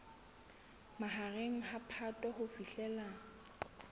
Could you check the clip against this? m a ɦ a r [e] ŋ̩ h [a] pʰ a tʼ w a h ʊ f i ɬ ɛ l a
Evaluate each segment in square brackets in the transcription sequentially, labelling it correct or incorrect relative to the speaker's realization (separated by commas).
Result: correct, correct